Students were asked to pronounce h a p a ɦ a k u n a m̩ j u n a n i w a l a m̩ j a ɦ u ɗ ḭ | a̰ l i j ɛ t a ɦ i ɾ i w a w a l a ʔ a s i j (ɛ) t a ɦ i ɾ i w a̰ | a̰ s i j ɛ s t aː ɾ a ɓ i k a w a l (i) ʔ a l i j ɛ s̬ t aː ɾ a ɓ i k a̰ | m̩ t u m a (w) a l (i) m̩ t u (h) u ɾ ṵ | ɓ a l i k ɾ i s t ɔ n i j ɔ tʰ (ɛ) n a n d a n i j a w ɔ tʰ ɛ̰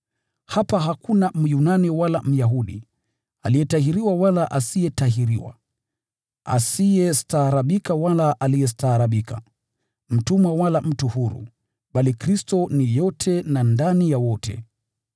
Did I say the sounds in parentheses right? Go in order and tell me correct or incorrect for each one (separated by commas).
correct, incorrect, correct, incorrect, correct, correct